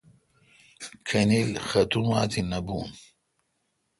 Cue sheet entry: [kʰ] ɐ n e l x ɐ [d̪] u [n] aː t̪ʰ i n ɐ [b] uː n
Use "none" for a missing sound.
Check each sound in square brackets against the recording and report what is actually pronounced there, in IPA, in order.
kʰ, t̪, m, b

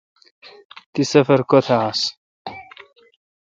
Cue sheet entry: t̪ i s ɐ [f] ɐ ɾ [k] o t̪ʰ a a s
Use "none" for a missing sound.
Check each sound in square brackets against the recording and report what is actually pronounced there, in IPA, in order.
f, k

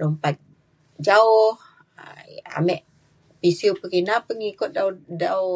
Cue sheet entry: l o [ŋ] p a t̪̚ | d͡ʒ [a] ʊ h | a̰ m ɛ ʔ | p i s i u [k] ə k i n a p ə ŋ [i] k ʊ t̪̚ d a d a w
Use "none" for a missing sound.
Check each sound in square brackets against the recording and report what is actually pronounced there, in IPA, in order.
m, a, p, i

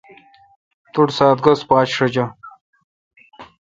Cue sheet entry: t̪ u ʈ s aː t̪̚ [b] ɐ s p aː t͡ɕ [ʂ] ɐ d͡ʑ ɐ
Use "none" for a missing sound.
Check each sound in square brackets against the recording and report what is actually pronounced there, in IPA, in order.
ɡ, ʂ

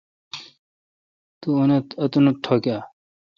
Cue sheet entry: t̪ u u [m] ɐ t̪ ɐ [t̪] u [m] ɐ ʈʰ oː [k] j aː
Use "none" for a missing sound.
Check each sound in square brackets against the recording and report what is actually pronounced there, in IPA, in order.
n, t̪, n, k

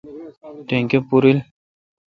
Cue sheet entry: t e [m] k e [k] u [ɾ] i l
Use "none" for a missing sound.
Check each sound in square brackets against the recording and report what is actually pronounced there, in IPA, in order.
ŋ, p, ɾ

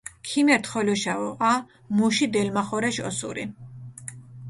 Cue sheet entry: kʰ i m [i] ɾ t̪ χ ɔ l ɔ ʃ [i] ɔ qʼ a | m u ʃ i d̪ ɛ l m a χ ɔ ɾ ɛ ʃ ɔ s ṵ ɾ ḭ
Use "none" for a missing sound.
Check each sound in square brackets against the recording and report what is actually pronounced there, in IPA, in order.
ɛ, a

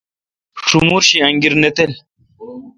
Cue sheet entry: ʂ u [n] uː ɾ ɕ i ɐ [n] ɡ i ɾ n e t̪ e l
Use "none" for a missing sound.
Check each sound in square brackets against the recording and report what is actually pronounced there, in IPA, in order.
m, ŋ

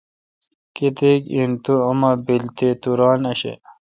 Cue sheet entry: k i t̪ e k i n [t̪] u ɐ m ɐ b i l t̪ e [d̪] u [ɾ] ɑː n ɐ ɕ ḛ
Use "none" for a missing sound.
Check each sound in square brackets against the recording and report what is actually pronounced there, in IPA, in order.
t̪, t̪, ɾ

